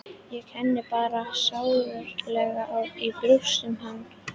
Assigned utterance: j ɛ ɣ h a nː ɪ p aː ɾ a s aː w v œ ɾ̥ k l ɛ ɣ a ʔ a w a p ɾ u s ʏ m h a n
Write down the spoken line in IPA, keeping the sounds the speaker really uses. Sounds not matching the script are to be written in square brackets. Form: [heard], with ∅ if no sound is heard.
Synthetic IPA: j ɛ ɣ h [ɛ] nː ɪ p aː ɾ a s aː w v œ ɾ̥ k l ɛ ɣ a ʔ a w [i] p ɾ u s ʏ m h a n

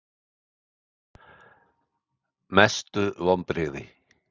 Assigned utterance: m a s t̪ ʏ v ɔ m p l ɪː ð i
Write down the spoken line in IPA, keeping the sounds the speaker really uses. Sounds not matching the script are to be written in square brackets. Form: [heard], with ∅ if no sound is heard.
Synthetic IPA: m [ɛ] s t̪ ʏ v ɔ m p [ɾ] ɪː ð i

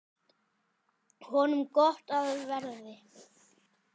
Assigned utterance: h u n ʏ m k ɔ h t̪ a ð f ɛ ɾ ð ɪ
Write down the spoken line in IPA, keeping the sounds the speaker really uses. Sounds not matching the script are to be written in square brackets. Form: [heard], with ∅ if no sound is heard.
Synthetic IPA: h [ɔ] n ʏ m k ɔ h t̪ a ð [v] ɛ ɾ ð ɪ

